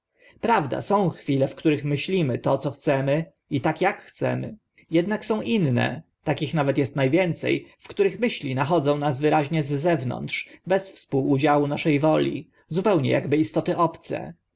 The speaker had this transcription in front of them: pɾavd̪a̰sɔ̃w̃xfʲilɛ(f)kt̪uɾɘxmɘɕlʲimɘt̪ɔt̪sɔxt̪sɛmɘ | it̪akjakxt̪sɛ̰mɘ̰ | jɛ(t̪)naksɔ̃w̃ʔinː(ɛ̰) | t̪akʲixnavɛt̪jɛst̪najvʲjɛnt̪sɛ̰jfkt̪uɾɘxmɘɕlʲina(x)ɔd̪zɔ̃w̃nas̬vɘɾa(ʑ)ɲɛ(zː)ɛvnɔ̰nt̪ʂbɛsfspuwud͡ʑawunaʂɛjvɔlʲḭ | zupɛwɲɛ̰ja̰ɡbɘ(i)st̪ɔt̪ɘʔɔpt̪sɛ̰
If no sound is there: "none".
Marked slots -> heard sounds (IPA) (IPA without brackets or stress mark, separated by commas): f, d̪, ɛ̰, x, ʑ, zː, i